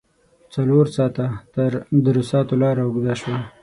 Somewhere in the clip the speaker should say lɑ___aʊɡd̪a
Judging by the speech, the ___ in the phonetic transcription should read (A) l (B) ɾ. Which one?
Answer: B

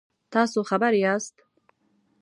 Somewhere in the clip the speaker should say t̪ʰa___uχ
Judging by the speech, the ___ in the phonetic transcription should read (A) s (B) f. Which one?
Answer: A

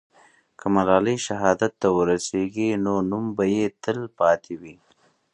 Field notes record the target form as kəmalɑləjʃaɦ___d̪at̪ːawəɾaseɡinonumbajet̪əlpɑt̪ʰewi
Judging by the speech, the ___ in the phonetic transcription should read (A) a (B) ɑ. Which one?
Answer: B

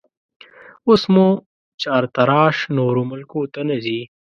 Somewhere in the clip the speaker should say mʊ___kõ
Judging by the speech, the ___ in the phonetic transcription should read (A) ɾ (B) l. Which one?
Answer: B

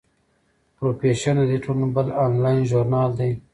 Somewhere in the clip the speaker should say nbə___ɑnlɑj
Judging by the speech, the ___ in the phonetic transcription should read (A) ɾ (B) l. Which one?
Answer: B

